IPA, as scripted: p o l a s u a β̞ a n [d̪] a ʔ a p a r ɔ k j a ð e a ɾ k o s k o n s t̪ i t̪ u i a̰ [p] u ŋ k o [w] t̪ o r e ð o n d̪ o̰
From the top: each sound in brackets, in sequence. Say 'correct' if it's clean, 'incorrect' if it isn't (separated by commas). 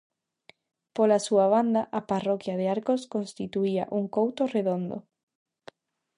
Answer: correct, incorrect, correct